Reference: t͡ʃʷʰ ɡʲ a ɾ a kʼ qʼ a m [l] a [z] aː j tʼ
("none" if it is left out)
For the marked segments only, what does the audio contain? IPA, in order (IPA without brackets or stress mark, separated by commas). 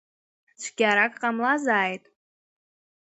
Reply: l, z